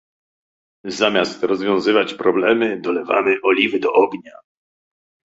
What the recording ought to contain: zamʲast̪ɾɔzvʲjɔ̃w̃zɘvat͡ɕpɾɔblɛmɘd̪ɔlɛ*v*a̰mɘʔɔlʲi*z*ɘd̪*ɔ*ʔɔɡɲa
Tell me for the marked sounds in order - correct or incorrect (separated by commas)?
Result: correct, incorrect, correct